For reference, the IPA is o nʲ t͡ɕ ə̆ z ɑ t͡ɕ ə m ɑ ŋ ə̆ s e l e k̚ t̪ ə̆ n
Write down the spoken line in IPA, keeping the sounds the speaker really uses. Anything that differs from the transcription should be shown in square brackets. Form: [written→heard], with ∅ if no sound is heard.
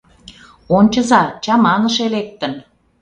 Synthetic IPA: o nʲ t͡ɕ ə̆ z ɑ t͡ɕ [ə→ɑ] m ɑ [ŋ→n] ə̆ [s→ʃ] e l e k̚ t̪ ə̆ n